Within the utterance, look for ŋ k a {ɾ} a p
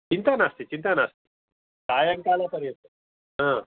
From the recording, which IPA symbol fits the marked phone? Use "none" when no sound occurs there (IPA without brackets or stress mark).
l